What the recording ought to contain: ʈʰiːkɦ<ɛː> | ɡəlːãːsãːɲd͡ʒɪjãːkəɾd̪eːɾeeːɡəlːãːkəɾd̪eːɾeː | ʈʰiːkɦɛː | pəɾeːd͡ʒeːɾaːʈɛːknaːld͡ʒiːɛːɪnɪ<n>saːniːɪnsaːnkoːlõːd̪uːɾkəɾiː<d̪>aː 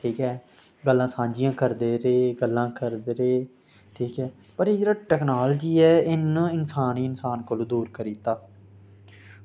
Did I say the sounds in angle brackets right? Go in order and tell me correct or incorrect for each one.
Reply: correct, correct, incorrect: t̪

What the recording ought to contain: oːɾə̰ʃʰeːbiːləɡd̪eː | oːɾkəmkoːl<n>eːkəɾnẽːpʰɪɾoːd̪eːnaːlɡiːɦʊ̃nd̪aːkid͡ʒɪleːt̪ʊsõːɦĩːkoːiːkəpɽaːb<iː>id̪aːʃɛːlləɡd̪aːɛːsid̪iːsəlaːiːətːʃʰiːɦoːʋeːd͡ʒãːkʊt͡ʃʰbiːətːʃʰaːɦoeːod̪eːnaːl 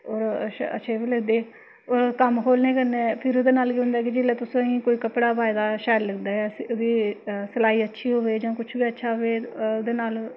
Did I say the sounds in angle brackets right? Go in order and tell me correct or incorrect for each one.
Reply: correct, incorrect: aː

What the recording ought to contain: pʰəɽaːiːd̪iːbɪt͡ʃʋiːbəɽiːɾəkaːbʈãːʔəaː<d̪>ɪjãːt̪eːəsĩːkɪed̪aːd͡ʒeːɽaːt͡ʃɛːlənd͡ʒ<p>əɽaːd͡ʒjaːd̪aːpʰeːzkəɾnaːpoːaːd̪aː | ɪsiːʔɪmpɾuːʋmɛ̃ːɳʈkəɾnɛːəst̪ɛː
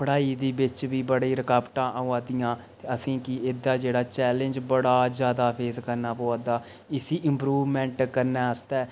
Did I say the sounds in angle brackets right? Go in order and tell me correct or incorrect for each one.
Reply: correct, incorrect: b

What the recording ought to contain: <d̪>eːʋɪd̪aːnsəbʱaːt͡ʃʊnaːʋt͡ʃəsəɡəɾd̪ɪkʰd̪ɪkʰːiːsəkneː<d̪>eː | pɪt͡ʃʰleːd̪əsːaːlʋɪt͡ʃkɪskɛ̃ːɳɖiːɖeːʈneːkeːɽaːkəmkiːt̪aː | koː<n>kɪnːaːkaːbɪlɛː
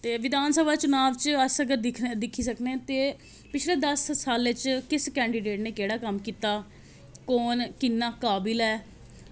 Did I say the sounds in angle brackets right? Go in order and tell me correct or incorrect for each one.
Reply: incorrect: t̪, incorrect: t̪, correct

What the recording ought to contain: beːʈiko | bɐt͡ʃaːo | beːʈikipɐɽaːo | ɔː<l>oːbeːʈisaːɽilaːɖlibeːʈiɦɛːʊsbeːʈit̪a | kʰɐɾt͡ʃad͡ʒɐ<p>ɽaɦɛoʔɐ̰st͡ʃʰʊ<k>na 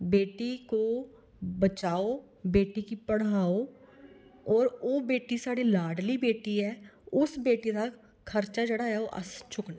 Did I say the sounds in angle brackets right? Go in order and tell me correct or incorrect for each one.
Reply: incorrect: ɾ, incorrect: none, correct

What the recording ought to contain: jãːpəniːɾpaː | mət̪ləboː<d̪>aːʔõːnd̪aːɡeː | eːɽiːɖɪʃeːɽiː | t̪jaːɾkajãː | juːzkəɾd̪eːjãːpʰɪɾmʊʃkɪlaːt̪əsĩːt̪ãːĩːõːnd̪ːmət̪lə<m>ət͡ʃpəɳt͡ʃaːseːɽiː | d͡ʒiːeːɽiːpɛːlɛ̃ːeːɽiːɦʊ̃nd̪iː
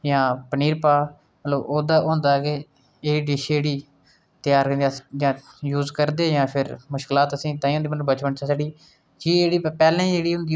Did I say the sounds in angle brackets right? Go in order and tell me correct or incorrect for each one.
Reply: correct, incorrect: b

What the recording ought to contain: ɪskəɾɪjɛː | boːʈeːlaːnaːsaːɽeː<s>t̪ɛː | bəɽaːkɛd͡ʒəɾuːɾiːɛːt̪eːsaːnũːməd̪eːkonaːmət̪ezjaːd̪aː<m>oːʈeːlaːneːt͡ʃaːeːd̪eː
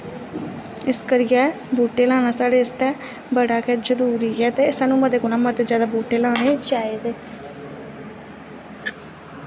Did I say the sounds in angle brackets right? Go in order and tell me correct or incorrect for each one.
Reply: correct, incorrect: b

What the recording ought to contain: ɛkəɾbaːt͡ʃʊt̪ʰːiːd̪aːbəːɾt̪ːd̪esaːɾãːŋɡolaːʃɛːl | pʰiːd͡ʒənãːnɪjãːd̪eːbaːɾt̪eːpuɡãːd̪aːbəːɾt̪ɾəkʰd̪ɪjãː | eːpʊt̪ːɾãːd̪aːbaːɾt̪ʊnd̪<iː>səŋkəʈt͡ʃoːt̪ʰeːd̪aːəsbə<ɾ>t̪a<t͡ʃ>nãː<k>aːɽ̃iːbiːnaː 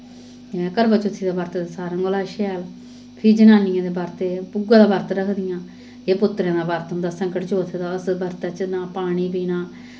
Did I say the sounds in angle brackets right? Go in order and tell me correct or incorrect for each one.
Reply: incorrect: aː, correct, correct, incorrect: p

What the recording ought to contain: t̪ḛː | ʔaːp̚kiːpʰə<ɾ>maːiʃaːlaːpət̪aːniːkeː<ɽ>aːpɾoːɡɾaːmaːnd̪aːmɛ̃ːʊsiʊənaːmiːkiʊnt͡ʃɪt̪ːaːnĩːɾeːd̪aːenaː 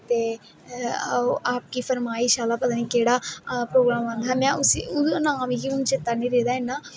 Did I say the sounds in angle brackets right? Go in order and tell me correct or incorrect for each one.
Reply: correct, correct

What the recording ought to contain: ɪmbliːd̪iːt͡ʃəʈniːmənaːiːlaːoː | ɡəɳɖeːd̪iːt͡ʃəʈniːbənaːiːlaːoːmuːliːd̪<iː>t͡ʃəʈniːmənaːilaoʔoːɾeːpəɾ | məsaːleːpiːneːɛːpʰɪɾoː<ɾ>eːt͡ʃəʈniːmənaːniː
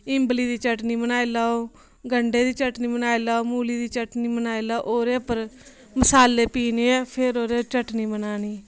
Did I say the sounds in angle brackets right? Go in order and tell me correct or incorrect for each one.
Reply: correct, correct

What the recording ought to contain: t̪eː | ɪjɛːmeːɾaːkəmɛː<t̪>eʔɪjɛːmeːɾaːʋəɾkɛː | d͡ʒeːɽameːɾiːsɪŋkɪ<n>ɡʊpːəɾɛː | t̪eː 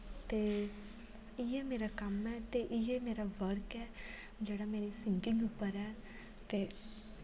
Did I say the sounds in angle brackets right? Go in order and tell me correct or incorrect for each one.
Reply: correct, incorrect: ŋ

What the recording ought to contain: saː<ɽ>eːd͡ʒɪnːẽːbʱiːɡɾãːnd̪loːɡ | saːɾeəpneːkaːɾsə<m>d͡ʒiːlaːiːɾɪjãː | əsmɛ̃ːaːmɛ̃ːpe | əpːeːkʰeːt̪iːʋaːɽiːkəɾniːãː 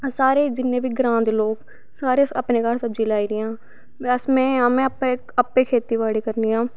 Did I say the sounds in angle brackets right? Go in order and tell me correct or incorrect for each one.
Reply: incorrect: ɾ, incorrect: b

